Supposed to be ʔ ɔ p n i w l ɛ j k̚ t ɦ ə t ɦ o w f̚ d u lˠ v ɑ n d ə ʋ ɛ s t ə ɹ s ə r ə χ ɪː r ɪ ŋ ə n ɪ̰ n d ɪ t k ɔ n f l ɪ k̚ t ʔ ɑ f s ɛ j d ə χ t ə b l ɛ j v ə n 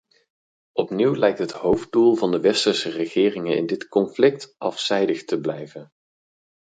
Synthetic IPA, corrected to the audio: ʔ ɔ p n i w l ɛ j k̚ t ɦ ə t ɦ o w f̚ d u lˠ v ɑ n d ə ʋ ɛ s t ə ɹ s ə r ə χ ɪː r ɪ ŋ ə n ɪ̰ n d ɪ t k ɔ n f l ɪ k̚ t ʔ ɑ f s ɛ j d ə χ t ə b l ɛ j v ə n